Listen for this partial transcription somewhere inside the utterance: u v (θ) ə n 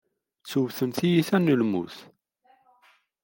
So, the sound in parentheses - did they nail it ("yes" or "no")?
yes